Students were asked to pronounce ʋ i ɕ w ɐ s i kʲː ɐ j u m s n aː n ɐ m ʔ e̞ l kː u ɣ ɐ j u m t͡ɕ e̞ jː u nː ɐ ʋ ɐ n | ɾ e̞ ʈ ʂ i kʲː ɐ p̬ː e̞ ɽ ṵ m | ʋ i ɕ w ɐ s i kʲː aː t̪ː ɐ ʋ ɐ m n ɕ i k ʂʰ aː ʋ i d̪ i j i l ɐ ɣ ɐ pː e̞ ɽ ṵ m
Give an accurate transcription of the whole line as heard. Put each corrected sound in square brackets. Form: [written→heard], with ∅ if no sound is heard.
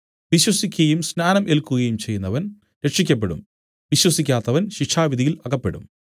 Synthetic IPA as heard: ʋ i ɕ w ɐ s i kʲː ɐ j u m s n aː n ɐ m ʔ e̞ l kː u ɣ ɐ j u m t͡ɕ e̞ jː u nː ɐ ʋ ɐ n | ɾ e̞ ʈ ʂ i kʲː ɐ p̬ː e̞ ɽ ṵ m | ʋ i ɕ w ɐ s i kʲː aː t̪ː ɐ ʋ ɐ [m→∅] n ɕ i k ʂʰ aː ʋ i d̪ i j i l ɐ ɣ ɐ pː e̞ ɽ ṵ m